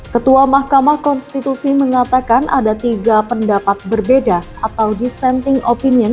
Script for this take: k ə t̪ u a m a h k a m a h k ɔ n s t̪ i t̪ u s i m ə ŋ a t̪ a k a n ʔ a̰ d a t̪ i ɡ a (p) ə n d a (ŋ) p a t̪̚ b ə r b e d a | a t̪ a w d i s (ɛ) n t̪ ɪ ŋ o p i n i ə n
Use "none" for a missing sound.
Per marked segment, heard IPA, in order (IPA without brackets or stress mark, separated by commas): p, none, ɛ